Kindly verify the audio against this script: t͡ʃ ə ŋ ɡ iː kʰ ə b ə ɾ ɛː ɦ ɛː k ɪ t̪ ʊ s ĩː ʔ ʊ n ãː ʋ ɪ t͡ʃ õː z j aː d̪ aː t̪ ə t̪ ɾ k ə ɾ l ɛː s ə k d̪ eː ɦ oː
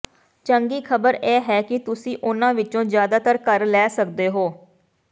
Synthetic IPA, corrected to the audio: t͡ʃ ə ŋ ɡ iː kʰ ə b ə ɾ ɛː ɦ ɛː k ɪ t̪ ʊ s ĩː ʔ ʊ n ãː ʋ ɪ t͡ʃ õː z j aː d̪ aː t̪ ə ɾ k ə ɾ l ɛː s ə k d̪ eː ɦ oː